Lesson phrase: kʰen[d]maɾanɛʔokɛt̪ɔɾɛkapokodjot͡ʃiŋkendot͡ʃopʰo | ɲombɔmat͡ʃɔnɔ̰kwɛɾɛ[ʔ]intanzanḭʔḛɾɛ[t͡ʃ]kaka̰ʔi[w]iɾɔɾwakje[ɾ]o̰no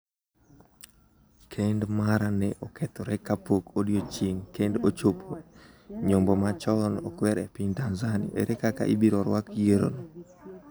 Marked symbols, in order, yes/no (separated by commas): yes, no, no, no, yes